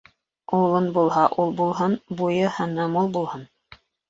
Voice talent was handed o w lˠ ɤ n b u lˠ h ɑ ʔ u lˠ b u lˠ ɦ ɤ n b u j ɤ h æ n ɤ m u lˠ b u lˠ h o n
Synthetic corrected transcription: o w lˠ ɤ n b u lˠ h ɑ ʔ u lˠ b u lˠ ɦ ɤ n b u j ɤ h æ n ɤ m u lˠ b u lˠ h ɤ n